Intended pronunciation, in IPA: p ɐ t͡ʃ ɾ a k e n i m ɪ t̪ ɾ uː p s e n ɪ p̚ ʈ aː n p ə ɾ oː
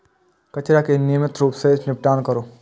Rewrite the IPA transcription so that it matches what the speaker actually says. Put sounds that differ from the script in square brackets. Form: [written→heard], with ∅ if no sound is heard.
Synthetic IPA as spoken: [p→k] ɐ t͡ʃ ɾ a k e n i m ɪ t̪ ɾ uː p s e n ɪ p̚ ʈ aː n [p→k] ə ɾ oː